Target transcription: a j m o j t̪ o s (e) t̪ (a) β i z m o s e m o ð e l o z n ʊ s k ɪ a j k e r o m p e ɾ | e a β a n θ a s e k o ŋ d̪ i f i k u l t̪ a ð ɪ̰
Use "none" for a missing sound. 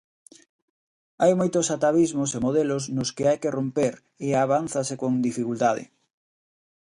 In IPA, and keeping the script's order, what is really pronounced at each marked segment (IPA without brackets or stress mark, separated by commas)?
a, a